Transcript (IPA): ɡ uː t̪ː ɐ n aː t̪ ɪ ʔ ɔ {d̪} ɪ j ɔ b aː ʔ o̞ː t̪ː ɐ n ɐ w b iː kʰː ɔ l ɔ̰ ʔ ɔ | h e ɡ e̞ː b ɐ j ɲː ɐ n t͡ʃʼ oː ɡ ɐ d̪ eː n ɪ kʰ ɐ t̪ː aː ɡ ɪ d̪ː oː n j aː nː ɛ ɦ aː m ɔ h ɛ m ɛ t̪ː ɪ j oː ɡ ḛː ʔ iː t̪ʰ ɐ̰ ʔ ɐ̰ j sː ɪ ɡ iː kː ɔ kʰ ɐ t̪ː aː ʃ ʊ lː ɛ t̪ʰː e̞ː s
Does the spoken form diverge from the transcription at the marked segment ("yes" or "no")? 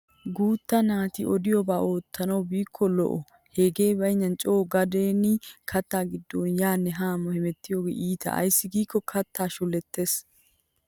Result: no